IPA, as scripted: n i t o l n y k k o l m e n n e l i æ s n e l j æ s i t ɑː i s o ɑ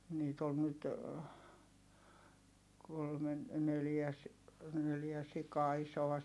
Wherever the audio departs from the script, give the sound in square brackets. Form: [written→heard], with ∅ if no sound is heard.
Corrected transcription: n [i→iː] t o l n y [k→t] k o l m e n n e l [i→j] æ s n e l j æ s i [t→k] ɑː i s o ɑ

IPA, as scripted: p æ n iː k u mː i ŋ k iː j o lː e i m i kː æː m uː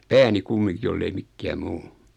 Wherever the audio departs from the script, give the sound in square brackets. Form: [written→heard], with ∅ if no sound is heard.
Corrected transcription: p [æ→æː] n [iː→i] k u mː i ŋ k [iː→i] j o lː e i m i kː æː m uː

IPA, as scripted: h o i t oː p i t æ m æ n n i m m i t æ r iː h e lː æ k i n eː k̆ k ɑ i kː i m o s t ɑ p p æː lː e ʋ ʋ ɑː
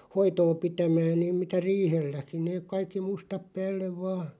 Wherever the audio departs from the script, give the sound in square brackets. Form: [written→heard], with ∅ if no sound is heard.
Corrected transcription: h o i t oː p i t æ m [æ→æː] n n [i→iː] m m i t æ r iː h e lː æ k i n eː k̆ k ɑ i kː i m [o→u] s t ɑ p p æː lː e ʋ ʋ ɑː

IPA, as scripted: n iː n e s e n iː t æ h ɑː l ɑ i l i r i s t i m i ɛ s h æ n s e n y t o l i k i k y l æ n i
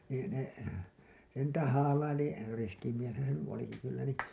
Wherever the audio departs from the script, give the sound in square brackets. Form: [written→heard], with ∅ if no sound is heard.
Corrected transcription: n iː n e s e n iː t æ h ɑː l ɑ i l i r i s [t→k] i m i [ɛ→e] s h æ n s e n y [t→∅] o l i k i k y [l→lː] æ n i

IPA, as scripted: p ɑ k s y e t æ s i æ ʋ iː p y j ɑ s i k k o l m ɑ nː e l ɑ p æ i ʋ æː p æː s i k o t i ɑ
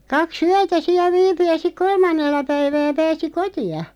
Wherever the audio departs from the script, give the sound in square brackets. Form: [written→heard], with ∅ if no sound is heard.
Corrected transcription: [p→k] ɑ k s y [e→æ] t æ s i æ ʋ iː p y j ɑ s i k k o l m ɑ nː e [l→lː] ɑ p æ i ʋ æː p æː s i k o t i ɑ

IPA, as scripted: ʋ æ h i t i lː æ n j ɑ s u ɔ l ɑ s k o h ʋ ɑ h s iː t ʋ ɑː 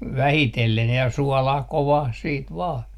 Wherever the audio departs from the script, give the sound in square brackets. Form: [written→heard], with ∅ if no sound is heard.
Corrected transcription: ʋ æ h i t [i→e] lː [æ→e] n j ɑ s u ɔ l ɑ [s→h] k o [h→∅] ʋ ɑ h s iː t ʋ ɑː

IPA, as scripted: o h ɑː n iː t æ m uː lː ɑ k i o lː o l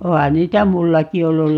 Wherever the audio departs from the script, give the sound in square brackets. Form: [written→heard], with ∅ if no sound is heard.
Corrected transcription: o h [ɑː→ɑ] n iː t æ m [uː→u] lː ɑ k i o lː [o→u] l

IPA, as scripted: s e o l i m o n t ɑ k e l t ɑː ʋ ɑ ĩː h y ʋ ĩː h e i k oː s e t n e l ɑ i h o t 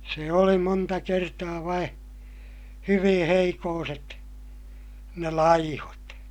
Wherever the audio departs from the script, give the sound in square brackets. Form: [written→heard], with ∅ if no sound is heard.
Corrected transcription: s e o l i m o n t ɑ k e [l→r] t ɑː ʋ ɑ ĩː h y ʋ ĩː h e i k oː s e t n e l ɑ i h o t

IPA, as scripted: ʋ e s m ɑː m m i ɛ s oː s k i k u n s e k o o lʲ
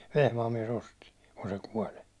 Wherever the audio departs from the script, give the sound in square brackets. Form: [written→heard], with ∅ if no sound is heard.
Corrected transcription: ʋ e [s→h] m ɑː m m i ɛ s [oː→o] s [k→t] i k u n s e k [o→u] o lʲ

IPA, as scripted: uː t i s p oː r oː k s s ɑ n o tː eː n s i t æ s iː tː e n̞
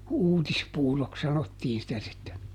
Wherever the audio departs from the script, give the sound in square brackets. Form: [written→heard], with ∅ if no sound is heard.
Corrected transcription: uː t i s p [oː→uː] r [oː→o] k s s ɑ n o tː [eː→iː] n s i t æ s [iː→i] tː e n̞

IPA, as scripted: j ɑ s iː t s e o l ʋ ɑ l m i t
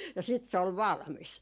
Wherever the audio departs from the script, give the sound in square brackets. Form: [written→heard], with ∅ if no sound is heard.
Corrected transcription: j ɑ s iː t s e o l ʋ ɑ l m i [t→s]

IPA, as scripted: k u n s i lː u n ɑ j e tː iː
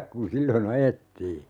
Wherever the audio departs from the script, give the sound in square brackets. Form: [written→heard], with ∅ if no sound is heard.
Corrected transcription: k u n s i lː [u→o] n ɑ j e tː iː

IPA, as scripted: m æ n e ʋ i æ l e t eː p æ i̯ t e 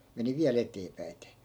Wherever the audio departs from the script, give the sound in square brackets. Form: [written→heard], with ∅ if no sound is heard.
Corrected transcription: m [æ→e] n [e→i] ʋ i æ l e t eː p æ i̯ t e

